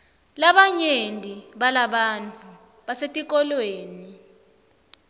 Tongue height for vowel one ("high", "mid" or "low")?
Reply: low